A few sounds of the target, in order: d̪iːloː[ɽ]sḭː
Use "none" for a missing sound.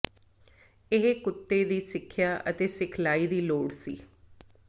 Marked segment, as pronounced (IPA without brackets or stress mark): ɽ